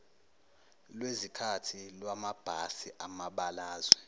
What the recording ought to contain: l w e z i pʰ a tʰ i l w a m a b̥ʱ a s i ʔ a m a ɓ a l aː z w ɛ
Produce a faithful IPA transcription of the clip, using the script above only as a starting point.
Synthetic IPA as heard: l w e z i kʰ a tʰ i l w a m a b̥ʱ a s i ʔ a m a ɓ a l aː z w ɛ